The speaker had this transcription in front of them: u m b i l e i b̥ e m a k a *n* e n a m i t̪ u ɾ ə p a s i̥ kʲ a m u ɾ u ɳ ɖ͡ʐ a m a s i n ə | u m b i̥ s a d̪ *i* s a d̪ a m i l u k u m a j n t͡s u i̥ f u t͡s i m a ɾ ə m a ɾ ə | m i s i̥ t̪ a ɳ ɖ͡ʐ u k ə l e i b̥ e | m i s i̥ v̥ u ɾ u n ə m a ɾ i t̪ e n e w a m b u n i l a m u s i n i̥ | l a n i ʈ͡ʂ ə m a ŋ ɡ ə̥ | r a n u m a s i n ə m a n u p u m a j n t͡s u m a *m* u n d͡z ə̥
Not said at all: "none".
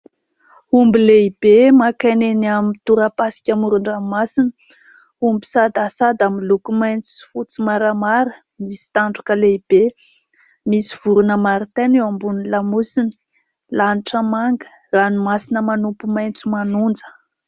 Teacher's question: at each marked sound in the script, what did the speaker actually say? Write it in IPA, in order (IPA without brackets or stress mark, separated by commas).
n, a, n